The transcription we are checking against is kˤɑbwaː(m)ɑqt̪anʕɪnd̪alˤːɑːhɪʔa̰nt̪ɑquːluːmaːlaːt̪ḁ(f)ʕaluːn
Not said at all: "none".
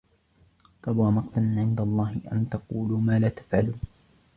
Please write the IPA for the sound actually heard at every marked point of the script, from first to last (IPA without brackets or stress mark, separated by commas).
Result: m, f